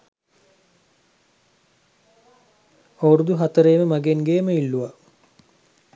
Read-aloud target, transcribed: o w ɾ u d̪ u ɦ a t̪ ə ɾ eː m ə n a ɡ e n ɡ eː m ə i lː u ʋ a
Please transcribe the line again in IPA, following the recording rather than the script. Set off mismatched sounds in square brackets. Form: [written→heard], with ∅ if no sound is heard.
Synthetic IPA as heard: o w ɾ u d̪ u ɦ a t̪ ə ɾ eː m ə [n→m] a ɡ e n ɡ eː m ə i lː u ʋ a